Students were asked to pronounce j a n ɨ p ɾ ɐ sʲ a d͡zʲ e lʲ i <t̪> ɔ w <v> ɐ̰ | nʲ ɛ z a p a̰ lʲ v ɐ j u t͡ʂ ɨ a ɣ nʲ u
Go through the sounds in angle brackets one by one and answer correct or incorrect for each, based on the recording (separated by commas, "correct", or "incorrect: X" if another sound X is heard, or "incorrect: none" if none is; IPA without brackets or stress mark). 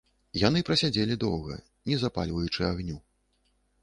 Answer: incorrect: d̪, incorrect: ɣ